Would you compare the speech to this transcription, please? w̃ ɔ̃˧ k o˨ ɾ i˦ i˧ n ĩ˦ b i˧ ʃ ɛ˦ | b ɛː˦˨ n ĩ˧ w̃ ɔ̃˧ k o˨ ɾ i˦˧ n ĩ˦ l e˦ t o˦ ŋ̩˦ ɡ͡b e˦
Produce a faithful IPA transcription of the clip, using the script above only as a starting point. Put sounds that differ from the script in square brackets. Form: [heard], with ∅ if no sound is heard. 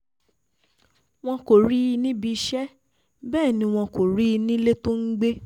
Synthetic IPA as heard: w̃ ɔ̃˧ k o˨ ɾ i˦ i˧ n ĩ˦ b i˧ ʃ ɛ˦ | b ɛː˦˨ n ĩ˧ w̃ ɔ̃˧ k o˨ ɾ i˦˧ n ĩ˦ l e˦ t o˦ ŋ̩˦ ɡ͡b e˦